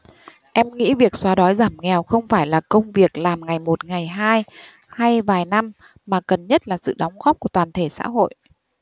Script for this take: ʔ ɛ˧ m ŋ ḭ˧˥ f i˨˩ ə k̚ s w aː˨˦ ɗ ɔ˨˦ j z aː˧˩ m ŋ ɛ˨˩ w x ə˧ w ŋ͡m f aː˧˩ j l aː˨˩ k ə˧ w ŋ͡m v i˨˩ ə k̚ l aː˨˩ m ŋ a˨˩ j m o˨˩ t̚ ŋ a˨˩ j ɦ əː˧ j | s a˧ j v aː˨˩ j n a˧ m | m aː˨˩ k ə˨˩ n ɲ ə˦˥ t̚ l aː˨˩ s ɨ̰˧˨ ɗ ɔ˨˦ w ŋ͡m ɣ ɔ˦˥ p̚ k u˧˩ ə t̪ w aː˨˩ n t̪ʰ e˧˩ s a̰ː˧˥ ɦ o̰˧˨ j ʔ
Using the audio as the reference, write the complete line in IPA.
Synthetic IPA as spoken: ʔ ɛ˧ m ŋ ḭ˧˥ v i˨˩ ə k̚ s w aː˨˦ ɗ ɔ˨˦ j z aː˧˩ m ŋ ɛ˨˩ w x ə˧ w ŋ͡m f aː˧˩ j l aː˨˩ k ə˧ w ŋ͡m v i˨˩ ə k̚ l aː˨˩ m ŋ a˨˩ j m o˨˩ t̚ ŋ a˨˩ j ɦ aː˧ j | h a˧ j v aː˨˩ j n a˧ m | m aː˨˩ k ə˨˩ n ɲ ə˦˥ t̚ l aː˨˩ s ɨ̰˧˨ ɗ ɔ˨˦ w ŋ͡m ɣ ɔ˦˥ p̚ k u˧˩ ə t̪ w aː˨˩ n t̪ʰ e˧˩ s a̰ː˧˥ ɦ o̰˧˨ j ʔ

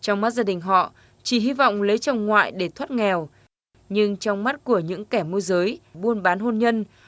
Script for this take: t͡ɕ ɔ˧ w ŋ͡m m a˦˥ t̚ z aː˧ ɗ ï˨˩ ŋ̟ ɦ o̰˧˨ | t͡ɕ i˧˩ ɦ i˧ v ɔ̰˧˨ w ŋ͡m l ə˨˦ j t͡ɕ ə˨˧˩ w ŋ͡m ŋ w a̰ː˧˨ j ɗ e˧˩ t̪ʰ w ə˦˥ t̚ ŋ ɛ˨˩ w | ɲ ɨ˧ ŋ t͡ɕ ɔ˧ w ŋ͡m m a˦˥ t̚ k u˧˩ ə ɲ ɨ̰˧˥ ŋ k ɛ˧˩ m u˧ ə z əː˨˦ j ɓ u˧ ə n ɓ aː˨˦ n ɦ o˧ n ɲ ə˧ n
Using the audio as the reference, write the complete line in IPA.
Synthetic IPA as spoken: t͡ɕ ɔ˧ w ŋ͡m m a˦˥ t̚ z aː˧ ɗ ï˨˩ ŋ̟ ɦ ɔ̰˧˨ | t͡ɕ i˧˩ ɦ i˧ v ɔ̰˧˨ w ŋ͡m l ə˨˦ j t͡ɕ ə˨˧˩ w ŋ͡m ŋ w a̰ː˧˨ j ɗ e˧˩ t̪ʰ w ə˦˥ t̚ ŋ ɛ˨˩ w | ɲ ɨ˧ ŋ t͡ɕ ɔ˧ w ŋ͡m m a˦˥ t̚ k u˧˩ ə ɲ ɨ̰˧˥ ŋ k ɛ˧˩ m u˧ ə z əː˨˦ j ɓ u˧ ə n ɓ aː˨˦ n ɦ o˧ n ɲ ə˧ n

